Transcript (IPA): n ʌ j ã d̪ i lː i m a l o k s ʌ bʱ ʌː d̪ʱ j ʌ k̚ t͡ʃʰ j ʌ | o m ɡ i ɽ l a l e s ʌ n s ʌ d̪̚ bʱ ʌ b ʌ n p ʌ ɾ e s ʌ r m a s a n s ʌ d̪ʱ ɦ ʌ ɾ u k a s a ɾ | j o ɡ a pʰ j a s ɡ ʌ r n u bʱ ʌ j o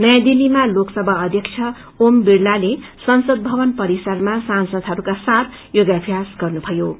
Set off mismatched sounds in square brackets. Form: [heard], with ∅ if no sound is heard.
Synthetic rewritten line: n ʌ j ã d̪ i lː i m a l o k s ʌ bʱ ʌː d̪ʱ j ʌ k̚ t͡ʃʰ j ʌ | o m [b] i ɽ l a l e s ʌ n s ʌ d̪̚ bʱ ʌ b ʌ n p ʌ ɾ [i] s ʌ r m a s a n s ʌ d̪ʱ ɦ ʌ ɾ u k a s a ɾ | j o ɡ a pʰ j a s ɡ ʌ r n u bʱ ʌ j o